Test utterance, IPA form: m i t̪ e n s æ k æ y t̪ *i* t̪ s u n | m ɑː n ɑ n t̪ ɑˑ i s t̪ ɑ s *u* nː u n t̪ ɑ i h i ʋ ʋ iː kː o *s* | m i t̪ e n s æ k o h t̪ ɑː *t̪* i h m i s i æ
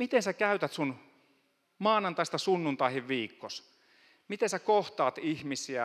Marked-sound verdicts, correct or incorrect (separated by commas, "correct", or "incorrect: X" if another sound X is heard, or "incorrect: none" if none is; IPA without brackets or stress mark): incorrect: æ, correct, correct, correct